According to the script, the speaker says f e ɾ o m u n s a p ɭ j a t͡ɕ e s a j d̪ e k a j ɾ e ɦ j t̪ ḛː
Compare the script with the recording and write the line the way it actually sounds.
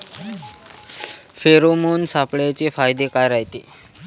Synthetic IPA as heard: f e ɾ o m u n s a p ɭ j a t͡ɕ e f a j d̪ e k a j ɾ a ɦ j t̪ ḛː